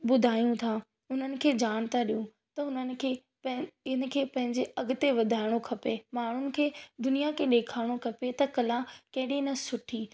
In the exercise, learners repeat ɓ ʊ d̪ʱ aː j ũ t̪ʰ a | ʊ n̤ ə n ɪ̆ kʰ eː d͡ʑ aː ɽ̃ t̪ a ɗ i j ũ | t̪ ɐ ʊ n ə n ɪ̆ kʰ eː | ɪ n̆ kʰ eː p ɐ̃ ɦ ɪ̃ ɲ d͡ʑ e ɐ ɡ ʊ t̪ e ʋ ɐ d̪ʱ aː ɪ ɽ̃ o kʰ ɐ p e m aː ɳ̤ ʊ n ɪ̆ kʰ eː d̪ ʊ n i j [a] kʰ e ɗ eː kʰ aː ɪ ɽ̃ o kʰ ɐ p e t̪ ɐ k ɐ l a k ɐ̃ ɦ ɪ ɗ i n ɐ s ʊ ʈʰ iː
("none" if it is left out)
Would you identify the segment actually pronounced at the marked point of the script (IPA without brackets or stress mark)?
a